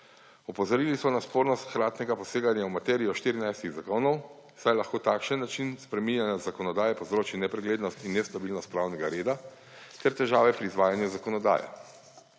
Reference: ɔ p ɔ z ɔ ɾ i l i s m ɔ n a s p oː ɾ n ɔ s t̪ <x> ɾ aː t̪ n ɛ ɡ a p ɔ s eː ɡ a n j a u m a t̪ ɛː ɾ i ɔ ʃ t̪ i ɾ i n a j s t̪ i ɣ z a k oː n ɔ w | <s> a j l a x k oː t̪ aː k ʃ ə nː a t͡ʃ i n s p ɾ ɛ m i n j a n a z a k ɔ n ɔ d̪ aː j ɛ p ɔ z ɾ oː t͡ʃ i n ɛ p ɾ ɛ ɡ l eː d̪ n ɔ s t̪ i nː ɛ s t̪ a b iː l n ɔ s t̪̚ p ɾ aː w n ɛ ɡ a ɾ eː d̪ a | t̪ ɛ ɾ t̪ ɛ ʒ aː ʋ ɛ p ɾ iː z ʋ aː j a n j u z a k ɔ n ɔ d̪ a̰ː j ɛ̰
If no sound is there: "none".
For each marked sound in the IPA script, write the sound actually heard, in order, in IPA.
x, s

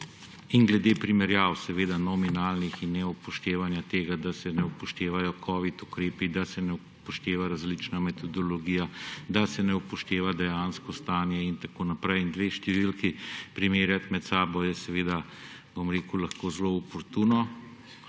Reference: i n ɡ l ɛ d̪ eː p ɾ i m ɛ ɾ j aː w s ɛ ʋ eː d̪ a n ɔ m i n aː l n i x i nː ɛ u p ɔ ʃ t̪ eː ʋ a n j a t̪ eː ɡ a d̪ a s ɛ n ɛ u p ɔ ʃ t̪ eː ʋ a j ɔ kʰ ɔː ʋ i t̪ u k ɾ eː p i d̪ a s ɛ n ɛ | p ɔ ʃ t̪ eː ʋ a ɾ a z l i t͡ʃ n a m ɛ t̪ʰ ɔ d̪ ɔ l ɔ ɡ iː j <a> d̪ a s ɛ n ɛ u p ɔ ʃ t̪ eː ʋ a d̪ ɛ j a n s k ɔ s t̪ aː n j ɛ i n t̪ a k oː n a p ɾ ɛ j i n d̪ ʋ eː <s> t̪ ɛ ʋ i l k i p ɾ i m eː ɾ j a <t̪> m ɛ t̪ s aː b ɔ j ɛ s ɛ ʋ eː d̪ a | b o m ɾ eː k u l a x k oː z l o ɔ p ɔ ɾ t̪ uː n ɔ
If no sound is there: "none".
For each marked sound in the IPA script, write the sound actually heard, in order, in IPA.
a, ʃ, t̪

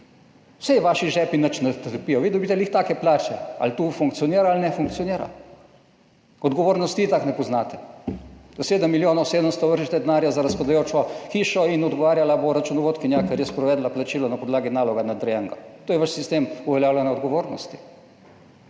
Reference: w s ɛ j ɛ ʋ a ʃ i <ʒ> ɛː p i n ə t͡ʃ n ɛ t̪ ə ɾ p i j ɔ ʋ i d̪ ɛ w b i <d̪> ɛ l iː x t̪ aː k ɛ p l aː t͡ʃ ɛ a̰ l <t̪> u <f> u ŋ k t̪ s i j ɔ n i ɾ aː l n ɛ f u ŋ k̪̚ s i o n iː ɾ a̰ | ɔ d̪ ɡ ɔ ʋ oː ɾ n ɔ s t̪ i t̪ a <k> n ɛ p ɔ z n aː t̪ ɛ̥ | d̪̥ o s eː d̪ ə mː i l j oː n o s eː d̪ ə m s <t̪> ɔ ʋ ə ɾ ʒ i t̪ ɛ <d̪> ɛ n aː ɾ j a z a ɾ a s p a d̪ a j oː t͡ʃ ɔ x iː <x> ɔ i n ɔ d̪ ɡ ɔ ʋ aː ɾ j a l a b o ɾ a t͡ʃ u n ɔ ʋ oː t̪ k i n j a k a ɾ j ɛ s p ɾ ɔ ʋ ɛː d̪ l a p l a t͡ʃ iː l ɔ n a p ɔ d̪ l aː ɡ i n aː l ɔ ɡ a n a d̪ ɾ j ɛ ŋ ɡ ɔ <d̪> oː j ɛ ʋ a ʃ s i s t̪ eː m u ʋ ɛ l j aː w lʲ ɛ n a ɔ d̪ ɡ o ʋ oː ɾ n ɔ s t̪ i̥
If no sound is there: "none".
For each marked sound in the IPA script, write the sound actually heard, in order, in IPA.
ʒ, t̪, t̪, f, k, t̪, d̪, ʃ, t̪

